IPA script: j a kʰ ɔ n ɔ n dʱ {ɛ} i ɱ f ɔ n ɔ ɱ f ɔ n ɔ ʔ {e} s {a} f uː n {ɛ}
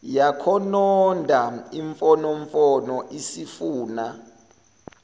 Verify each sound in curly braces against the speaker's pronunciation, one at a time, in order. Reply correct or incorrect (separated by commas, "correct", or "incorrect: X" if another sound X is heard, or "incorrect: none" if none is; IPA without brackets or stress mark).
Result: incorrect: a, incorrect: i, incorrect: i, incorrect: a